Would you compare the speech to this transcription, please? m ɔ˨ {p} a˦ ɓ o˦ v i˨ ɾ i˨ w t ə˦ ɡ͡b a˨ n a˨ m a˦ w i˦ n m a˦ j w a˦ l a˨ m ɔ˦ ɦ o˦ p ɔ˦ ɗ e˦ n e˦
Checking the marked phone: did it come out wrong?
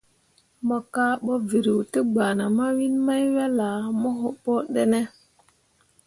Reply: yes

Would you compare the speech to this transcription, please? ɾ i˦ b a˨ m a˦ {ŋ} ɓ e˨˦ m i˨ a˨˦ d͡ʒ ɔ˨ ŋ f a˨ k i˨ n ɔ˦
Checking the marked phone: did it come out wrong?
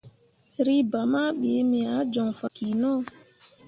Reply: yes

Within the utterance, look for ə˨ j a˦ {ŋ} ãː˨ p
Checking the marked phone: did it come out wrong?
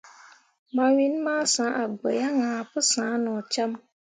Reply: no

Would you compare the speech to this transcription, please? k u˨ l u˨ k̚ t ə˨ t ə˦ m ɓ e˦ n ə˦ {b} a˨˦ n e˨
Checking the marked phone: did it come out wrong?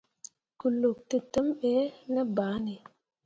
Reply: no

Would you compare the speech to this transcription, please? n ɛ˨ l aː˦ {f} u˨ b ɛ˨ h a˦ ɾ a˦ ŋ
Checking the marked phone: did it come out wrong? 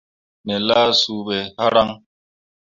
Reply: yes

